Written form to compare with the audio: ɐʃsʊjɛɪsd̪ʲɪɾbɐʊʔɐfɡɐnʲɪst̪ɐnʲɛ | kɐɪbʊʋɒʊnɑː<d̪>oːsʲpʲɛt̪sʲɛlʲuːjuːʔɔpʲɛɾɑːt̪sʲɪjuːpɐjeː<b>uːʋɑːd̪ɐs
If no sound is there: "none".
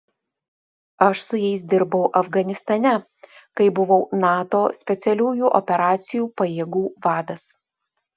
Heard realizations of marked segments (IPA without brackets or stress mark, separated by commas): t̪, ɡ